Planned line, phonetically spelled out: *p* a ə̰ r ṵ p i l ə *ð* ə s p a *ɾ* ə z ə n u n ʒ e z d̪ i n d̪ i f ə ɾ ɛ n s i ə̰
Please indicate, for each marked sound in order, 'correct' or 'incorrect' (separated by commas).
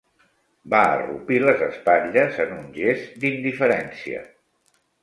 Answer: incorrect, incorrect, incorrect